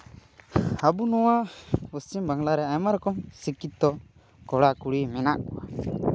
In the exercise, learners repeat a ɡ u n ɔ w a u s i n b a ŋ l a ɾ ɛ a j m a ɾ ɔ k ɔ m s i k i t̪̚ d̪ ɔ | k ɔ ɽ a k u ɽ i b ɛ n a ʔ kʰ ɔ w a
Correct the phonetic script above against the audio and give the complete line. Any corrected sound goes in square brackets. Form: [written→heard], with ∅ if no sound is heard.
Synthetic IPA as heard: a [ɡ→b] u n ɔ w a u s i [n→m] b a ŋ l a ɾ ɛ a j m a ɾ ɔ k ɔ m s i k i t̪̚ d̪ ɔ | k ɔ ɽ a k u ɽ i [b→m] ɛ n a ʔ [kʰ→k] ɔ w a